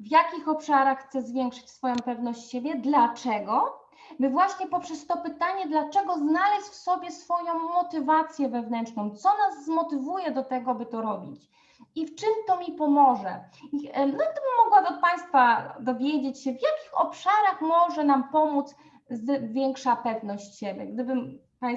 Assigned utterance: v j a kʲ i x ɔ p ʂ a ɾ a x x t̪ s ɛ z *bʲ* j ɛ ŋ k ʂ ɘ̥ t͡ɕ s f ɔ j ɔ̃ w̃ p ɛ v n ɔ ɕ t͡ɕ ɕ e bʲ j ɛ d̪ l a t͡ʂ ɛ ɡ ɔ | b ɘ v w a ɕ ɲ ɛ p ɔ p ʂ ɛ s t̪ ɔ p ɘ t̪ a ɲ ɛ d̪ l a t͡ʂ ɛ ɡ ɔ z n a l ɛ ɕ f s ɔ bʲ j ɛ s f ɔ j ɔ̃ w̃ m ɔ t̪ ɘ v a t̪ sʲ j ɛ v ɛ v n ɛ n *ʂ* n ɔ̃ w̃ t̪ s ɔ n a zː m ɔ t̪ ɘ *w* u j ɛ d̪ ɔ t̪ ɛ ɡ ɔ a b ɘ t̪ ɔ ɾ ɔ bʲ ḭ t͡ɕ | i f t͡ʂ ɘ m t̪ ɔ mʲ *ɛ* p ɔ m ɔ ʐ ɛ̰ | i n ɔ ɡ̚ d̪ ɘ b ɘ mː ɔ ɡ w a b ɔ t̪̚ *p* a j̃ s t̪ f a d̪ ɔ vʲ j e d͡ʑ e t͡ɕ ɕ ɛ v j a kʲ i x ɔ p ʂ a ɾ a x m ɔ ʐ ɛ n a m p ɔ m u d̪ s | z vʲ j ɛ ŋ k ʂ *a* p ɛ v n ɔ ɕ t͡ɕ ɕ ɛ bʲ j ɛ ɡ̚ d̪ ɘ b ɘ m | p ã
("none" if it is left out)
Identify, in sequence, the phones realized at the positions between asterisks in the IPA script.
vʲ, t͡ʂ, v, i, p, a

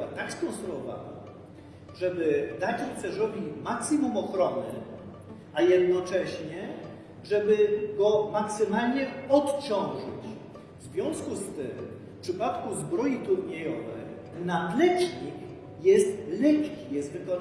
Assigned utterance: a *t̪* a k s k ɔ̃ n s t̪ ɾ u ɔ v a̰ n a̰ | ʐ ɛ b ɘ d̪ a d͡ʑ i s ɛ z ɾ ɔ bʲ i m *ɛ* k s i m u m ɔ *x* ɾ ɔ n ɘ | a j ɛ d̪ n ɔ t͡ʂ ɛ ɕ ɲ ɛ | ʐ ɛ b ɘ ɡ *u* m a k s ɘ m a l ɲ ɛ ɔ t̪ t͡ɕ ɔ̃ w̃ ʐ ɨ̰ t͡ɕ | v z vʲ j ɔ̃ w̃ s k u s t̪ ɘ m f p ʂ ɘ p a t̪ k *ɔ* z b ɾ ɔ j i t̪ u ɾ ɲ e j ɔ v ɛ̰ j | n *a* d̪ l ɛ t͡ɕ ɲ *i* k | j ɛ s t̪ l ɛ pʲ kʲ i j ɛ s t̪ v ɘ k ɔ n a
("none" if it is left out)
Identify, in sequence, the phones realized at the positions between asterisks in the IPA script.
t̪, a, x, ɔ, u, a, i

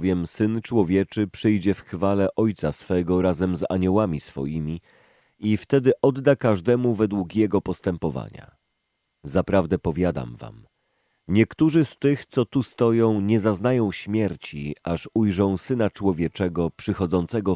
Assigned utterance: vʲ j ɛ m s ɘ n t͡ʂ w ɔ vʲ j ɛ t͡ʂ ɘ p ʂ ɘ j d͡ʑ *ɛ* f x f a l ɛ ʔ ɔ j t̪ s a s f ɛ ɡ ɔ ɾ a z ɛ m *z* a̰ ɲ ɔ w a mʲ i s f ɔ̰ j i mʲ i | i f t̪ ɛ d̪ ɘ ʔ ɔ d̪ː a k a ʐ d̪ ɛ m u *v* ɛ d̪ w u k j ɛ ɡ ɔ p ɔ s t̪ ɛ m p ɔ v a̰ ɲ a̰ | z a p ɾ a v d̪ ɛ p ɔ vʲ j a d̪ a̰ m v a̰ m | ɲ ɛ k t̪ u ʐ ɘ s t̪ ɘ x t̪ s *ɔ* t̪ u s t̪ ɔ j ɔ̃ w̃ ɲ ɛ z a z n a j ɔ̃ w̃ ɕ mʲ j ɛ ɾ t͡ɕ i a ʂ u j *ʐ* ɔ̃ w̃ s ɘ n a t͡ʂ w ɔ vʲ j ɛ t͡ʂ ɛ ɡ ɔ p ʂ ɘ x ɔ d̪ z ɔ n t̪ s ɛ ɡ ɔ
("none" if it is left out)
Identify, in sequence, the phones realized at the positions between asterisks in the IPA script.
ɛ, z, v, ɔ, ʐ

